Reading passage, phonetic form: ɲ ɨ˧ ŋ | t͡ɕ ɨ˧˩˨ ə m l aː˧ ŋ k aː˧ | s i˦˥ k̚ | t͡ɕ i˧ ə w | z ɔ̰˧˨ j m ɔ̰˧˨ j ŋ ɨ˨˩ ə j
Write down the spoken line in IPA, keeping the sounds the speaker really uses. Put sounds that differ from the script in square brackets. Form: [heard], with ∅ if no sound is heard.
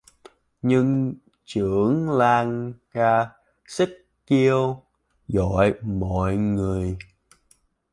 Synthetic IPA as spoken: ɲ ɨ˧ ŋ | t͡ɕ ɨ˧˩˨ ə [ŋ] l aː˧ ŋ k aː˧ | s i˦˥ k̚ | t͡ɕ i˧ ə w | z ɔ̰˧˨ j m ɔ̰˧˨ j ŋ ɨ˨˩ ə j